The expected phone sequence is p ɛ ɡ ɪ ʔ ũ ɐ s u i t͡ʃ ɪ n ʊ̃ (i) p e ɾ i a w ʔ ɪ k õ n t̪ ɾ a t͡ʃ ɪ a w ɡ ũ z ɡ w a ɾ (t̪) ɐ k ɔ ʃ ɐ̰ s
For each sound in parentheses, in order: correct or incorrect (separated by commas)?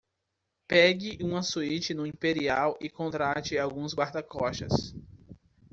incorrect, incorrect